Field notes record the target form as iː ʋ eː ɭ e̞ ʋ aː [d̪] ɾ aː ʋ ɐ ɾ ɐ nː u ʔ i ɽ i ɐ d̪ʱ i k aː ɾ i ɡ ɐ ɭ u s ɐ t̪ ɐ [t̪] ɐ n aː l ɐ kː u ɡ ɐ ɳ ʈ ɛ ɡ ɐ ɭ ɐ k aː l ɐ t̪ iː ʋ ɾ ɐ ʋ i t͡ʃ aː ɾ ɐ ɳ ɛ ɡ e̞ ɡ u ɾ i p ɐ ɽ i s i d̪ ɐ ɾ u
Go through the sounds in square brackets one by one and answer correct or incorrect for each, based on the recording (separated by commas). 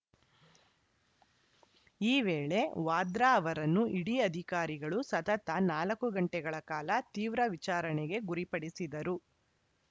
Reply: correct, correct